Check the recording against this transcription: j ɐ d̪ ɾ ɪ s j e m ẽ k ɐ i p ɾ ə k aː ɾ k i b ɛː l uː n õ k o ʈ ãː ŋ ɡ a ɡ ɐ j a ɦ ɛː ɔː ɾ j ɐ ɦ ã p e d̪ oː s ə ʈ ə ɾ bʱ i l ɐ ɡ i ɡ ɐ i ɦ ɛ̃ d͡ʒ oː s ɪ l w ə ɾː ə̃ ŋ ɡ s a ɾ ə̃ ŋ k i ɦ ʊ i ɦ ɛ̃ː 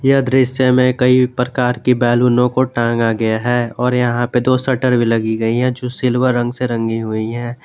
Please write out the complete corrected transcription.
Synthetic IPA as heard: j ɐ d̪ ɾ ɪ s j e m ẽ k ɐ i p ɾ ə k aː ɾ k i b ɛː l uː n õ k o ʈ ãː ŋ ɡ a ɡ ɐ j a ɦ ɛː ɔː ɾ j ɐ ɦ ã p e d̪ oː s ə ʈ ə ɾ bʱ i l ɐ ɡ i ɡ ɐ i ɦ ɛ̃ d͡ʒ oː s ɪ l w ə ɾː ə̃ ŋ ɡ s e ɾ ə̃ ŋ ɡ i ɦ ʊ i ɦ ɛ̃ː